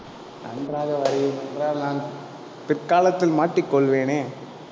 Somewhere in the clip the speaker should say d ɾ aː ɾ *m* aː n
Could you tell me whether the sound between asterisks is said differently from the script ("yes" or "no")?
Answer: yes